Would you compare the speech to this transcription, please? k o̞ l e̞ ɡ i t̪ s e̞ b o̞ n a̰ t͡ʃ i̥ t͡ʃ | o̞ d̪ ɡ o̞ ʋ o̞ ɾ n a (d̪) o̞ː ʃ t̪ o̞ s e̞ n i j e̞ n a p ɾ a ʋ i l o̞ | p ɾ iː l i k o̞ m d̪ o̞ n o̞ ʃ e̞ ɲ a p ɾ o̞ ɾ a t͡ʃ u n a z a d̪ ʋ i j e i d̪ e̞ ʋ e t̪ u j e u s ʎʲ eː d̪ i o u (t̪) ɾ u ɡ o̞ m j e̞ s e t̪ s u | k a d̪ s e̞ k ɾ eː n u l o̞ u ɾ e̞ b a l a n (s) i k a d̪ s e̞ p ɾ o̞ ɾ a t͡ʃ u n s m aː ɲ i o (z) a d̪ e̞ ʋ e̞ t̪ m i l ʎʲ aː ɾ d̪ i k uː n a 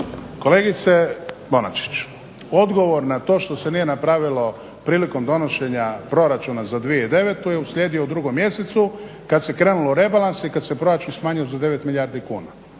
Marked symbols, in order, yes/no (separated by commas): no, no, yes, yes